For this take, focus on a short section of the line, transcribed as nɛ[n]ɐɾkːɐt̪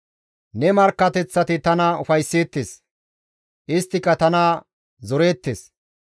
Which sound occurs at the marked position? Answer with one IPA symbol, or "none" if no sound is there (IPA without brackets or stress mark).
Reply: m